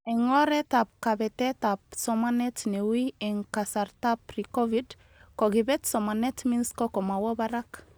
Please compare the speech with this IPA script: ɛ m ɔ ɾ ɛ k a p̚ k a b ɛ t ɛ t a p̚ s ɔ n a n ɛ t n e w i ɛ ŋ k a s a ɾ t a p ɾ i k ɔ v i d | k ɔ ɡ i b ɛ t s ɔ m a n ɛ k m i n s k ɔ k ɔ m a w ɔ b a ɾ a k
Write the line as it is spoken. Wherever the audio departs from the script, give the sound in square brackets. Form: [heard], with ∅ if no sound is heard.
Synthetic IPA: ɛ [ŋ] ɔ ɾ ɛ [t] a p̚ k a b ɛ t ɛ t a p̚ s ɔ [m] a n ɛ t n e w i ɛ ŋ k a s a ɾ t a p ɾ i k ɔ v i d | k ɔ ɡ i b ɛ t s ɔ m a n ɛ [t] m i n s k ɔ k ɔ m a w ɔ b a ɾ a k